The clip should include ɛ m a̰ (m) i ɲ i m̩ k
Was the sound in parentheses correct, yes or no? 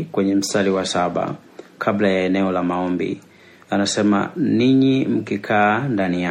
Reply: no